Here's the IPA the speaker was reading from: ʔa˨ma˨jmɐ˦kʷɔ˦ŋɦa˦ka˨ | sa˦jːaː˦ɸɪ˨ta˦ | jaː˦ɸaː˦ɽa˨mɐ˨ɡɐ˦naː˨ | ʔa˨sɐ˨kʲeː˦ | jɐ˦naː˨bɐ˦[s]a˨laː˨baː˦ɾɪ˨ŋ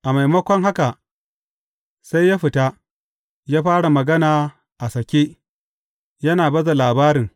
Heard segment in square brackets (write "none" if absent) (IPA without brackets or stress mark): z